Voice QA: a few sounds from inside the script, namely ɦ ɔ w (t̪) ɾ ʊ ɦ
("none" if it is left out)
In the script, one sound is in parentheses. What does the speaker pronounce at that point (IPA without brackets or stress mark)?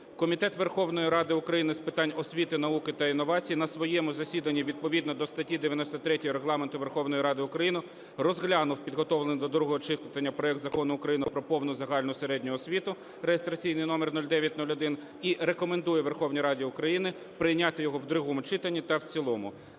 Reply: d̪